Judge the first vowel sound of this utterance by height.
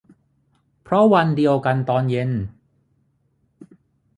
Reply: mid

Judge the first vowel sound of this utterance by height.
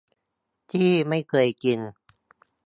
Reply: high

